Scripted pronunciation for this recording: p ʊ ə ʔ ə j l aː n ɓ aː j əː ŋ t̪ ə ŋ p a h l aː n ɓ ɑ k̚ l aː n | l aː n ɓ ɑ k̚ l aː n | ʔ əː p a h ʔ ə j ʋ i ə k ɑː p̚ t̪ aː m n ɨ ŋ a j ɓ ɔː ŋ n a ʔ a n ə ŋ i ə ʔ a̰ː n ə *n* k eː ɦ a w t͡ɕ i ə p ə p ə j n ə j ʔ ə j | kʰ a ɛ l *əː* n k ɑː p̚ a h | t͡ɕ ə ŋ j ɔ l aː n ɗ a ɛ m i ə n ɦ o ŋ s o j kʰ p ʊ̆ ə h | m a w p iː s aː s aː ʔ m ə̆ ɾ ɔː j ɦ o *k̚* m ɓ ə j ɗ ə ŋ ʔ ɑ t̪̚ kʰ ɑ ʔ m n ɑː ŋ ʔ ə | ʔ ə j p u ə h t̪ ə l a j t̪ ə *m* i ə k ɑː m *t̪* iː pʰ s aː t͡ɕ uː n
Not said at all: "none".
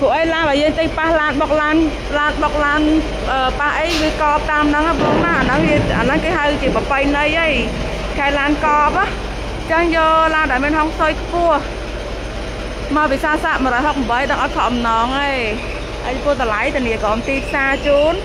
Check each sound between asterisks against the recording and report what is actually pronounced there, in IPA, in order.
ŋ, aː, k̚, n, t̪

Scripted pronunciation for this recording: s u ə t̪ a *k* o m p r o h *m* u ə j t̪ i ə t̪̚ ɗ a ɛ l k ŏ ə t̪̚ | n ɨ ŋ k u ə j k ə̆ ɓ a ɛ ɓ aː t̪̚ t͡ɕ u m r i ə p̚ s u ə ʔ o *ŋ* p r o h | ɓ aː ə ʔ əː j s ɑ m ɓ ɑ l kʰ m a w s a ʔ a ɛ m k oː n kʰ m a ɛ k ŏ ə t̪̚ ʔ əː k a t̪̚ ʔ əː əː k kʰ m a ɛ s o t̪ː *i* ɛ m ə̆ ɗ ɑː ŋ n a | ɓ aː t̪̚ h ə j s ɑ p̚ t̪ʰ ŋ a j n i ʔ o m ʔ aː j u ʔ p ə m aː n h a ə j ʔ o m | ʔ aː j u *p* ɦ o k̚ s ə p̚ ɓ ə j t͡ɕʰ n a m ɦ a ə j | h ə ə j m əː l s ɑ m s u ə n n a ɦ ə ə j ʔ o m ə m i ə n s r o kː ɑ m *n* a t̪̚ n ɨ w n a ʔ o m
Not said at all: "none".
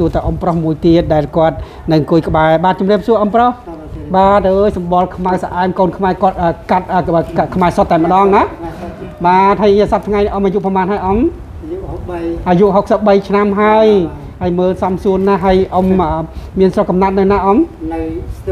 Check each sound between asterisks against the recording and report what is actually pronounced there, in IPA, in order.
ʔ, m, m, a, ʔ, n

